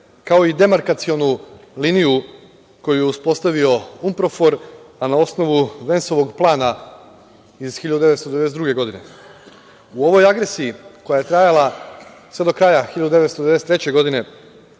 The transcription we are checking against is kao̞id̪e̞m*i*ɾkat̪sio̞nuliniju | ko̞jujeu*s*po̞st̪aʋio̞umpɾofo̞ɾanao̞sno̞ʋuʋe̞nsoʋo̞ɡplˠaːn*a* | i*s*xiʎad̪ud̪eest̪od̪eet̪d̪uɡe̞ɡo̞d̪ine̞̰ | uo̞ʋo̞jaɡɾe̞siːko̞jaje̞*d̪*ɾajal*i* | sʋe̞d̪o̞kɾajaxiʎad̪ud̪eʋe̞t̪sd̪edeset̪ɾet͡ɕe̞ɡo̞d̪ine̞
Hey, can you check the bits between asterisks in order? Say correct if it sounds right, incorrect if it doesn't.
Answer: incorrect, correct, correct, incorrect, incorrect, incorrect

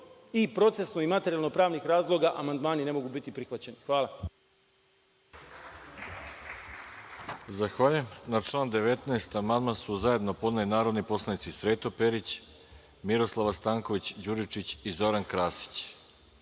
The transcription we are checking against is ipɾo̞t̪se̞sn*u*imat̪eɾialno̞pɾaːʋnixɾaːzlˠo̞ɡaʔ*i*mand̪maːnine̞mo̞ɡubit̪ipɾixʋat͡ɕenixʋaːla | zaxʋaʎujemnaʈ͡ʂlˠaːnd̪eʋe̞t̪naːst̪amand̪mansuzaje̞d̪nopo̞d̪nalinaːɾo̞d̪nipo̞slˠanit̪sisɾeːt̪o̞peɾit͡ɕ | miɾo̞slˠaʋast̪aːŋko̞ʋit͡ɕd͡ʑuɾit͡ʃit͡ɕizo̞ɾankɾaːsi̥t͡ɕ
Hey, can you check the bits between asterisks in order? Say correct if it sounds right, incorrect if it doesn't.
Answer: incorrect, incorrect

